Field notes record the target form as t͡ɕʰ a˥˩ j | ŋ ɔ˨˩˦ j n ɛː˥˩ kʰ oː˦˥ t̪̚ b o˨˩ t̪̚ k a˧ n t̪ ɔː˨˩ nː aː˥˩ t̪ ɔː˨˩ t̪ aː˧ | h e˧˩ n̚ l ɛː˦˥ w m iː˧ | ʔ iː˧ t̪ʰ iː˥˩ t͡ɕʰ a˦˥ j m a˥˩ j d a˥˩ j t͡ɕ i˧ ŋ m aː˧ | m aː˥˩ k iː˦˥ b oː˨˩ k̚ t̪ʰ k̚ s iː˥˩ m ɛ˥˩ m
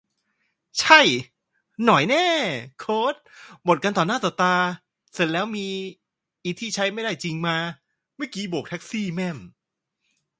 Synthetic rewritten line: t͡ɕʰ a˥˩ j | n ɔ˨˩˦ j n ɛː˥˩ kʰ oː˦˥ t̪̚ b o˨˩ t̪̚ k a˧ n t̪ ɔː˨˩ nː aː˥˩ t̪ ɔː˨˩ t̪ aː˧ | s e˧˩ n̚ l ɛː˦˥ w m iː˧ | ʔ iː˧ t̪ʰ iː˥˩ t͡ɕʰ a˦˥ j m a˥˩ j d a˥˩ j t͡ɕ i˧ ŋ m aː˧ | m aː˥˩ k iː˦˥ b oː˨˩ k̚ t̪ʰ k̚ s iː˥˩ m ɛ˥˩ m

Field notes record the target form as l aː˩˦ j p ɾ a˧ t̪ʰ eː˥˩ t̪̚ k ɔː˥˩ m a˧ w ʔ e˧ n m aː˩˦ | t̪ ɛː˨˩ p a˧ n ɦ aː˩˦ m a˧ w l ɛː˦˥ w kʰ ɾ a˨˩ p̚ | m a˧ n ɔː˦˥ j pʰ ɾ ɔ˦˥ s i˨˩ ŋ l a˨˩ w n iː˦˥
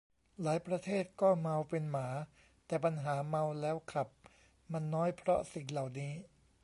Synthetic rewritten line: l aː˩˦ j p ɾ a˧ t̪ʰ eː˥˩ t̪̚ k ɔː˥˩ m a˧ w p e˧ n m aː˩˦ | t̪ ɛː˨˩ p a˧ n ɦ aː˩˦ m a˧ w l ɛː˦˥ w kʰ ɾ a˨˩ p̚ | m a˧ nː ɔː˦˥ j pʰ ɾ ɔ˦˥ s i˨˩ ŋ l a˨˩ w n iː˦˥

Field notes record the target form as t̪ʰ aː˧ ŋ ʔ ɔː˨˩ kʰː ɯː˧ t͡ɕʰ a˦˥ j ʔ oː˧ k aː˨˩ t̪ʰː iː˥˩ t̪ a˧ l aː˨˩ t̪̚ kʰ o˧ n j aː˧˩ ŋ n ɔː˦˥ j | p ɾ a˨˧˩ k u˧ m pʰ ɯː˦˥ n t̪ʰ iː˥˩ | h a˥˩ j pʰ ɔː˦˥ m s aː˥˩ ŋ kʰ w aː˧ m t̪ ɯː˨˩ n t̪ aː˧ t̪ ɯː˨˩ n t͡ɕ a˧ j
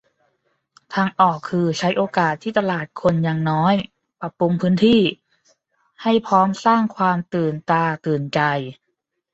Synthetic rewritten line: t̪ʰ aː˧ ŋ ʔ ɔː˨˩ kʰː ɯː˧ t͡ɕʰ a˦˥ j ʔ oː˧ k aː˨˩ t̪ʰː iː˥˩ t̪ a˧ l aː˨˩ t̪̚ kʰ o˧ n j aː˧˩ ŋ n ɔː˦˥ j | p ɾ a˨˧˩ p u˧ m pʰ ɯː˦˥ n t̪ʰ iː˥˩ | h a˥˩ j pʰ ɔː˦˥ m s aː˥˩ ŋ kʰ w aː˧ m t̪ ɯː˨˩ n t̪ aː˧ t̪ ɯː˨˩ n t͡ɕ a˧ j

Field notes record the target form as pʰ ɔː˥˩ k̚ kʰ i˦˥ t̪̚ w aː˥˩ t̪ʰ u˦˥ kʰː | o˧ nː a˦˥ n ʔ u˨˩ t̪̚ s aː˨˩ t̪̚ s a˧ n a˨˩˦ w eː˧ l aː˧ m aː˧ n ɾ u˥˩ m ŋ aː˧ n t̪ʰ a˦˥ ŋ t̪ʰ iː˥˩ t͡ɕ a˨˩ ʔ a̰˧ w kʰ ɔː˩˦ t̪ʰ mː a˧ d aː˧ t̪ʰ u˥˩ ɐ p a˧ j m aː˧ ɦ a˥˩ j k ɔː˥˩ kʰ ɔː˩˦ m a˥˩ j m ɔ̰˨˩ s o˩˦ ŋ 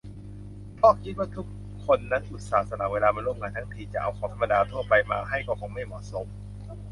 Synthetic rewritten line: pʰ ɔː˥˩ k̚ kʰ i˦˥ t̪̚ w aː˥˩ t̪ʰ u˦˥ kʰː | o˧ nː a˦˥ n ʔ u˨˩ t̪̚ s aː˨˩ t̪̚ s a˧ n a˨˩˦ w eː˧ l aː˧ m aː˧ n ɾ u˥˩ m ŋ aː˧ n t̪ʰ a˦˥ ŋ t̪ʰ iː˧ t͡ɕ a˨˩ ʔ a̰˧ w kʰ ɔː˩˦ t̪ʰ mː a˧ d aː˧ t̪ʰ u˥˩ ɐ p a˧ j m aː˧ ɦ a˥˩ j k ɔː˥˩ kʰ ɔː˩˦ m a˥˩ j m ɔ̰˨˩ s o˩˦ m

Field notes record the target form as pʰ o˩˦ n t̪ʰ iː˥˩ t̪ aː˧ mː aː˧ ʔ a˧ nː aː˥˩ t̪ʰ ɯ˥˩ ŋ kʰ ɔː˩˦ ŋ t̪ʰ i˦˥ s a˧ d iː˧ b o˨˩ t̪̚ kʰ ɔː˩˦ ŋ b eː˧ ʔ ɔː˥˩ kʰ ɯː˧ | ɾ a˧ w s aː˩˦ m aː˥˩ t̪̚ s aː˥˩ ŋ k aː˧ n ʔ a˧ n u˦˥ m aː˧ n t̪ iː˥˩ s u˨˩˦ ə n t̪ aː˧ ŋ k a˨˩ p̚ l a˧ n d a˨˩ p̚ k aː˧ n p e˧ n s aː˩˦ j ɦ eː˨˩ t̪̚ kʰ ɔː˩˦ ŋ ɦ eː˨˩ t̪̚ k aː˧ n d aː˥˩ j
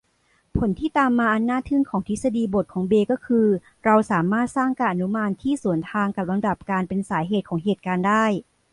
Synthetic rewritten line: pʰ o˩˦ n t̪ʰ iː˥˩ t̪ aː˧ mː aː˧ ʔ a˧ nː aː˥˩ t̪ʰ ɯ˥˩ ŋ kʰ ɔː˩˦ ŋ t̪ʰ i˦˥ s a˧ d iː˧ b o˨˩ t̪̚ kʰ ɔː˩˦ ŋ b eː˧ k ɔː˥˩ kʰ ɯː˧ | ɾ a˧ w s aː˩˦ m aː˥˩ t̪̚ s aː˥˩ ŋ k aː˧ n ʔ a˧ n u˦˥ m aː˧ n t̪ʰ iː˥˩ s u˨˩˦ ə n t̪ʰ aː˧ ŋ k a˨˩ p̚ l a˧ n d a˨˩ p̚ k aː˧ n p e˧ n s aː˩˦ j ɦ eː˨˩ t̪̚ kʰ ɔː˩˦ ŋ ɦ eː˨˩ t̪̚ k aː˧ n d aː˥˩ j

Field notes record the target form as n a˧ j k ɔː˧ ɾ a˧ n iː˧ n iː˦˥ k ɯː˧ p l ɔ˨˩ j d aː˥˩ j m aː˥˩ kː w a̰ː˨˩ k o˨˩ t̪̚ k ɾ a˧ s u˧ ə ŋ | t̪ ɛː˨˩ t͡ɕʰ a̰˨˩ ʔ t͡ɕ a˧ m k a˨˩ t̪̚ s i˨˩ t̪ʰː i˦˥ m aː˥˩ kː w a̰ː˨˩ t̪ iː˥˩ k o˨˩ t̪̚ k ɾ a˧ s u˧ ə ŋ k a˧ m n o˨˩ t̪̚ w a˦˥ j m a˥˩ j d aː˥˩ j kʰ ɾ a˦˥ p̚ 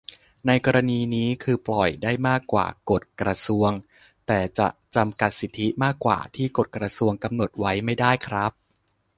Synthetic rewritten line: n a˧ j k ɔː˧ ɾ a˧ n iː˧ n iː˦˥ kʰ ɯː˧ p l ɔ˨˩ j d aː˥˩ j m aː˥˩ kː w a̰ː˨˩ k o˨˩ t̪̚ k ɾ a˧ s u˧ ə ŋ | t̪ ɛː˨˩ t͡ɕ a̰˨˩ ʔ t͡ɕ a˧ m k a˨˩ t̪̚ s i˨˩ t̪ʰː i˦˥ m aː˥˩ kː w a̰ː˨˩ t̪ʰ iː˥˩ k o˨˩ t̪̚ k ɾ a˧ s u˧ ə ŋ k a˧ m n o˨˩ t̪̚ w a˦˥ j m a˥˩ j d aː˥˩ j kʰ ɾ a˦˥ p̚

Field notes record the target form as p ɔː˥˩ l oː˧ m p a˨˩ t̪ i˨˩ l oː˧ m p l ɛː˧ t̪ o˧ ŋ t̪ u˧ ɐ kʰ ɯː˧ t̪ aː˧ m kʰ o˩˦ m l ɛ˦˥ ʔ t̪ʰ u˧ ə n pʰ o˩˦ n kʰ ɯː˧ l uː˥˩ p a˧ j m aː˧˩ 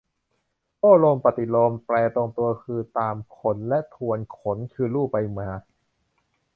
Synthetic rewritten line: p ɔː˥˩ l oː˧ m p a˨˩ t̪ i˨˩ l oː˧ m p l ɛː˧ t̪ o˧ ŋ t̪ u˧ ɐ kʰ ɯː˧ t̪ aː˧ m kʰ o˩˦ n l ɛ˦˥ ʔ t̪ʰ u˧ ə n kʰ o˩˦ n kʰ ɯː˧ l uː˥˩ p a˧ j m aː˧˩

